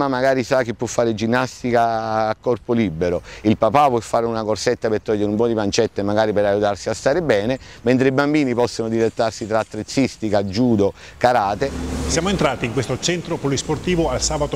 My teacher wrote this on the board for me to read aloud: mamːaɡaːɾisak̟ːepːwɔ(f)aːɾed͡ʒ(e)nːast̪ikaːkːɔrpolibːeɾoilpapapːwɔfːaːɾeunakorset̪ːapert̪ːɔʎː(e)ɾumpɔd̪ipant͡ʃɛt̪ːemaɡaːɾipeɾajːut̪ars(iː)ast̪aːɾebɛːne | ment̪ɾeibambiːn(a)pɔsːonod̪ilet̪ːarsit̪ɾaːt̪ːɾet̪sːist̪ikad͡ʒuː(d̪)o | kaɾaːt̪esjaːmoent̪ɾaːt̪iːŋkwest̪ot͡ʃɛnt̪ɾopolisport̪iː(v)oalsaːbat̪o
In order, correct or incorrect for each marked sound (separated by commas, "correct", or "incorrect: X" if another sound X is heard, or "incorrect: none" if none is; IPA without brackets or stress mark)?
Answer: incorrect: fː, incorrect: i, correct, incorrect: i, incorrect: i, correct, correct